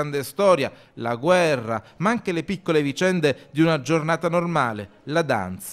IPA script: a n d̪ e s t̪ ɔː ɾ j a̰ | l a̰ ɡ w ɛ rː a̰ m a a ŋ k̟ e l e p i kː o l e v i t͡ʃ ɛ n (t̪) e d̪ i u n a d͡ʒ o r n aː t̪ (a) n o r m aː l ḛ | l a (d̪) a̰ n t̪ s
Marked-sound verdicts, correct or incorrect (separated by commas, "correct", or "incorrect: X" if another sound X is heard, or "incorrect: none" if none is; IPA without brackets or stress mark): incorrect: d̪, correct, correct